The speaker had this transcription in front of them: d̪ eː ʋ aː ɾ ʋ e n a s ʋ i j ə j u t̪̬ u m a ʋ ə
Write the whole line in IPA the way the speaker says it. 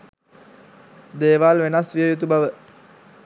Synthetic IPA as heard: d̪ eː ʋ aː l ʋ e n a s ʋ i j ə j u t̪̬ u b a ʋ ə